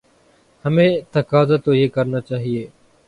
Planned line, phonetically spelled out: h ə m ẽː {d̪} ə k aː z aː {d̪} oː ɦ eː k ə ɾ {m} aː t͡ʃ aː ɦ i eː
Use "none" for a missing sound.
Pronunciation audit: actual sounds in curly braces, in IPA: t̪, t̪, n

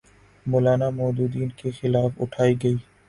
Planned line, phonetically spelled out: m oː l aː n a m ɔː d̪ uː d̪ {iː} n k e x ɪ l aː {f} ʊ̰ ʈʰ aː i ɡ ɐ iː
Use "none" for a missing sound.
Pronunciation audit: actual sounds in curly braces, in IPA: iː, f

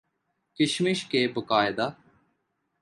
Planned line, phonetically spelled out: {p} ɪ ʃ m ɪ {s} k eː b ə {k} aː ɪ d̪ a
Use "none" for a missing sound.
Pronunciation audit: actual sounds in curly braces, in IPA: k, ʃ, k

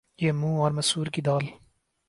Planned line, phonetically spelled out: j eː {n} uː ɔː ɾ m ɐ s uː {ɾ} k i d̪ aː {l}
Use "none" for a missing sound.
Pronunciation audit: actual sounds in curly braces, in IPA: m, ɾ, l

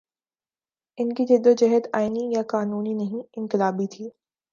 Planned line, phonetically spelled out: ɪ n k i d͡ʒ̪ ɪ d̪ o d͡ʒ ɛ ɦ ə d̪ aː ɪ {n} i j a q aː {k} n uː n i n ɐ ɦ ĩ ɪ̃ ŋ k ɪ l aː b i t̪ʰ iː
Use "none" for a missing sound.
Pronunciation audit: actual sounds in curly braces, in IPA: n, none

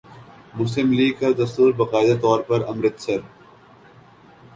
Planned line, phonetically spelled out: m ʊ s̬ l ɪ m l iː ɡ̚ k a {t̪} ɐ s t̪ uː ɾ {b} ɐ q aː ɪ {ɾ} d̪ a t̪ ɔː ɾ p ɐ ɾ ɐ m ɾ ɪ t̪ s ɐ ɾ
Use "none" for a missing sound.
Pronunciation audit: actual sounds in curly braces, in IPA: d̪, b, none

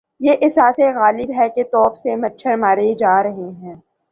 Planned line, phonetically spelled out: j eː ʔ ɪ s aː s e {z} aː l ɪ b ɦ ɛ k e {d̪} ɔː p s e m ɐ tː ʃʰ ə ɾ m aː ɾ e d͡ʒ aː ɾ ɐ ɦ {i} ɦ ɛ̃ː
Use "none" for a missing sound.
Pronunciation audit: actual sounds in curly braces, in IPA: ɣ, t̪, e

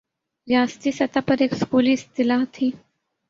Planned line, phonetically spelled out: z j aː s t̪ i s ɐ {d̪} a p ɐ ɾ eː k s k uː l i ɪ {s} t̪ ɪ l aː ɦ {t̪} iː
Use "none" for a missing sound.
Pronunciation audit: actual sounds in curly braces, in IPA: t̪, s, t̪ʰ

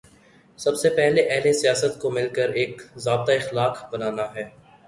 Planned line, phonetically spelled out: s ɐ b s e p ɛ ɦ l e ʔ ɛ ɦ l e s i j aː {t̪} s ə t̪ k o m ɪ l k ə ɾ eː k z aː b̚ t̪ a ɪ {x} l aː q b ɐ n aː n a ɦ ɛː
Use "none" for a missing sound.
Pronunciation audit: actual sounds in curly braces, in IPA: none, x

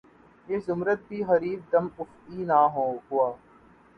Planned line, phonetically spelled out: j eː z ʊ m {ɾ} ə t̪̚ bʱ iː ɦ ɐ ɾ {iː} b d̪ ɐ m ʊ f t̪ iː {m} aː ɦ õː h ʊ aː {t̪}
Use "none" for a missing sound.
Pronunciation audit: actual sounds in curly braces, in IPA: ɾ, iː, n, none

